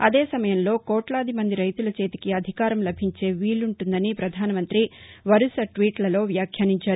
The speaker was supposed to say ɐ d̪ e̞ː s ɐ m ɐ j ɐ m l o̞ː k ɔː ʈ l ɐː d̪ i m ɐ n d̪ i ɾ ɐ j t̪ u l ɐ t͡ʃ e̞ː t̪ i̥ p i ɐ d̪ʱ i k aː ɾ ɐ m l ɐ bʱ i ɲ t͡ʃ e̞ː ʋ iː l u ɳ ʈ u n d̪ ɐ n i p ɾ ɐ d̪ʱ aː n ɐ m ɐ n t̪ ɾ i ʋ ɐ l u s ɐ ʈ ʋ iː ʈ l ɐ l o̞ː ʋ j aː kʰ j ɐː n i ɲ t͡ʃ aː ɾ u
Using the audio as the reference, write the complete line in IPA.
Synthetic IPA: ɐ d̪ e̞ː s ɐ m ɐ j ɐ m l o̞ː k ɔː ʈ l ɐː d̪ i m ɐ n d̪ i ɾ ɐ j t̪ u l ɐ t͡ʃ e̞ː t̪ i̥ k i ɐ d̪ʱ i k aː ɾ ɐ m l ɐ bʱ i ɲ t͡ʃ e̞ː ʋ iː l u ɳ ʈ u n d̪ ɐ n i p ɾ ɐ d̪ʱ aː n ɐ m ɐ n t̪ ɾ i ʋ ɐ ɾ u s ɐ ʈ ʋ iː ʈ l ɐ l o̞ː ʋ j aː kʰ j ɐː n i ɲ t͡ʃ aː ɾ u